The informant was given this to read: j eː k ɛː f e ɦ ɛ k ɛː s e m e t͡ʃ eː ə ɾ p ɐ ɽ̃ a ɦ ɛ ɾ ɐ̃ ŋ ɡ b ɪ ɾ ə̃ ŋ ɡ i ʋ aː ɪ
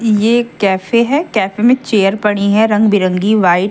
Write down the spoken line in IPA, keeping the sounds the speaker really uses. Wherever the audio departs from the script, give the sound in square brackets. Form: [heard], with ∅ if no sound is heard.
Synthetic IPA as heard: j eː k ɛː f e ɦ ɛ k ɛː [f] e m [ẽ] t͡ʃ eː ə ɾ p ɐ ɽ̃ [i] ɦ ɛ ɾ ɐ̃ ŋ ɡ b ɪ ɾ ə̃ ŋ ɡ i ʋ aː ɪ